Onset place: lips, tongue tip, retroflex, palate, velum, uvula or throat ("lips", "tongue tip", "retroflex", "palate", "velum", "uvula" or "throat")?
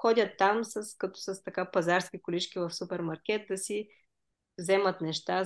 velum